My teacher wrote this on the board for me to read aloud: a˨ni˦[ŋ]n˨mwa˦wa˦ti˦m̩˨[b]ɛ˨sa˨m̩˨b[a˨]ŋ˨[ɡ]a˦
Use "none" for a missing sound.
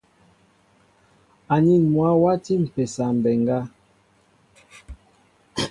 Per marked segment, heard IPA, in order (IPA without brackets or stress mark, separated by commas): none, p, ɛ˨, ɡ